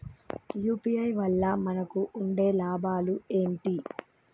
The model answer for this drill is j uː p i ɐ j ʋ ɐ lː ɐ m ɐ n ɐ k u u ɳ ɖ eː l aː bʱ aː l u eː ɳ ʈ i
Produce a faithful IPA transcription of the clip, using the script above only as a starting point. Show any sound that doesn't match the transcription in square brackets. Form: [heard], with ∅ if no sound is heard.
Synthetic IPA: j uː p i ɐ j ʋ ɐ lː ɐ m ɐ n ɐ k u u ɳ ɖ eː l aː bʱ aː l u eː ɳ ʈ i